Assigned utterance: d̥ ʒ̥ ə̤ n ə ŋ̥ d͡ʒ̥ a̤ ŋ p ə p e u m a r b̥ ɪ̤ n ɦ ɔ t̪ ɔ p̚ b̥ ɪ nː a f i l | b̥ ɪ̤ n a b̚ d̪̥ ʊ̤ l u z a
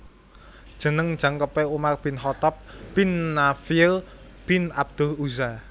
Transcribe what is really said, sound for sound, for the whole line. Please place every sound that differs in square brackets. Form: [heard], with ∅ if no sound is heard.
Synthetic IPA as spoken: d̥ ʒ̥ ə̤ n ə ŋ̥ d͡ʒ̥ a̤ ŋ [k] ə p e u m a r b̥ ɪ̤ n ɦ ɔ t̪ ɔ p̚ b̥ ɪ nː a f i l | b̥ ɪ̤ n a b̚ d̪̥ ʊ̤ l u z a